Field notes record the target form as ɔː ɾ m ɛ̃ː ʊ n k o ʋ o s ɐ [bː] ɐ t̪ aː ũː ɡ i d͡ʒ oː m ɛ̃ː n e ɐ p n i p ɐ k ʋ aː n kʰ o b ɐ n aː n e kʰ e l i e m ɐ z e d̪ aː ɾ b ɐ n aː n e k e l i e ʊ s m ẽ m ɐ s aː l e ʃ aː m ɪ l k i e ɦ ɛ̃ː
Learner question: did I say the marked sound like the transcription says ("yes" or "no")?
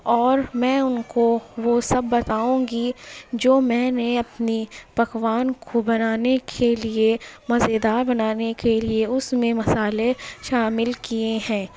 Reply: yes